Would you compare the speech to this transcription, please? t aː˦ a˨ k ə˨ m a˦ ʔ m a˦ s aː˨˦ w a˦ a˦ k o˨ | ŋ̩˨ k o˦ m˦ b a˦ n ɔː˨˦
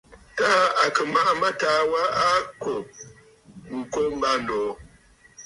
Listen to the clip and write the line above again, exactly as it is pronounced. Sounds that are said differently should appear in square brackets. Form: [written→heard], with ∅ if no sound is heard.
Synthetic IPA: t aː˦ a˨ k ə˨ m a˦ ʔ m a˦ [s→t] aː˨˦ w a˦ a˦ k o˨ | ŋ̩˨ k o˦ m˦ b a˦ n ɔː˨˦